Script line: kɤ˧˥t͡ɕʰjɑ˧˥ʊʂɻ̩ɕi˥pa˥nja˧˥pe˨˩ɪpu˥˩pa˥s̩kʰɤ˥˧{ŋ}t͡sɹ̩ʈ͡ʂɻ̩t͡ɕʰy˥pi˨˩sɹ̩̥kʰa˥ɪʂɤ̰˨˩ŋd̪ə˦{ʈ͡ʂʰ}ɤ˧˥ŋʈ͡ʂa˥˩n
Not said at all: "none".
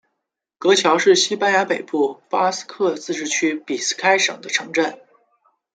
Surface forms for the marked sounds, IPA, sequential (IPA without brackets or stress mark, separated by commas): none, ʈ͡ʂʰ